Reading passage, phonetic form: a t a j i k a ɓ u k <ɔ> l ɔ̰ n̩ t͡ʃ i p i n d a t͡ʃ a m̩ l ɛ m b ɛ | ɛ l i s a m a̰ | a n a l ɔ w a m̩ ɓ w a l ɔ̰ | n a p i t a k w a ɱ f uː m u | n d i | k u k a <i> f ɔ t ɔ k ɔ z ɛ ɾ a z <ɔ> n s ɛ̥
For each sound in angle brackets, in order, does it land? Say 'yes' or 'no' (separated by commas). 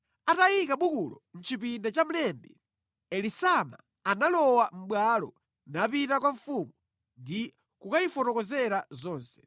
no, yes, no